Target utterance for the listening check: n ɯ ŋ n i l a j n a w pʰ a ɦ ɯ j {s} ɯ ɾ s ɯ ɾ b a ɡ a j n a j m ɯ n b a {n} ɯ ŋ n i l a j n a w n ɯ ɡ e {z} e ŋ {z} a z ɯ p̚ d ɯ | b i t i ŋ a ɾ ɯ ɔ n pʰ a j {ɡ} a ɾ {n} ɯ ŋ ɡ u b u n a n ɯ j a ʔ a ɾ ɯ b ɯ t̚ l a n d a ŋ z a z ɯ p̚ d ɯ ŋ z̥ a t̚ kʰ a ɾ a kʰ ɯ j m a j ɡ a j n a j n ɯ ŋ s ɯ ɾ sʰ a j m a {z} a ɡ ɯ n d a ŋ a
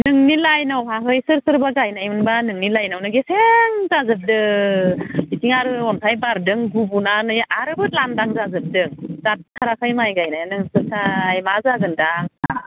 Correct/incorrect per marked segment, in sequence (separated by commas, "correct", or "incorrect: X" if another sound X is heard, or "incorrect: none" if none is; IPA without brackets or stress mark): correct, correct, incorrect: s, correct, incorrect: b, incorrect: d, correct